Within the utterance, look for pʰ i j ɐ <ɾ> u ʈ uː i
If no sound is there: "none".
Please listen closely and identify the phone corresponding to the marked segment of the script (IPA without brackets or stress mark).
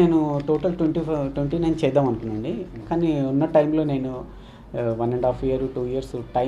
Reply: ɾ